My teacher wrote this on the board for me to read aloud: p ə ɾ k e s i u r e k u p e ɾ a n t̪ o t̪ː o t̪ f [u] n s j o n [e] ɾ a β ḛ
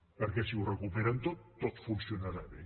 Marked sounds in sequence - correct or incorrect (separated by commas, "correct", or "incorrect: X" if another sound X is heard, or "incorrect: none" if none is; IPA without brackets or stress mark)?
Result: correct, incorrect: a